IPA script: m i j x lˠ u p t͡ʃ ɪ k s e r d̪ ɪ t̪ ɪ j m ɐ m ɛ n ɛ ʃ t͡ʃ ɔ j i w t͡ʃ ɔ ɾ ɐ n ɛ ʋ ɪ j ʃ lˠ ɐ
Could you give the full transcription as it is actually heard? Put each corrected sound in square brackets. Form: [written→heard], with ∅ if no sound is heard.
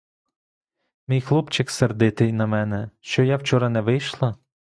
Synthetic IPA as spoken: m i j x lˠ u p t͡ʃ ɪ k s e r d̪ ɪ t̪ ɪ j [m→n] ɐ m ɛ n ɛ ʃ t͡ʃ ɔ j [i→a] w t͡ʃ ɔ ɾ ɐ n ɛ ʋ ɪ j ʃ lˠ ɐ